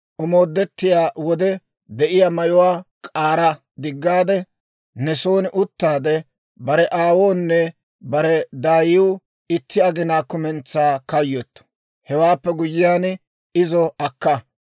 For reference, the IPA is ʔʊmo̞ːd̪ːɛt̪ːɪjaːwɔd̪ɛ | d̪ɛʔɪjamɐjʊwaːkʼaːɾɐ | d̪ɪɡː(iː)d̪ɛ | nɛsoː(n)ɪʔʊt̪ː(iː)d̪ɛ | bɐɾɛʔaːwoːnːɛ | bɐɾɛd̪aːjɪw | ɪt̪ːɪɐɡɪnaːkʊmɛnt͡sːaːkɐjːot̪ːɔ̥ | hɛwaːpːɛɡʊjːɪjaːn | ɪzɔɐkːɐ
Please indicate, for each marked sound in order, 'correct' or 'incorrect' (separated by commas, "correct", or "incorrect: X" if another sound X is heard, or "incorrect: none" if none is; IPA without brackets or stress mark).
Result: incorrect: aː, correct, incorrect: aː